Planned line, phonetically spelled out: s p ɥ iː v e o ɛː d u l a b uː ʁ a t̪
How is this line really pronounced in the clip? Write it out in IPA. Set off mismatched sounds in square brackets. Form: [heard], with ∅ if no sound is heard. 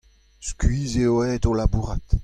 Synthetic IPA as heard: s [k] ɥ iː [z] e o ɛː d [o] l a b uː ʁ a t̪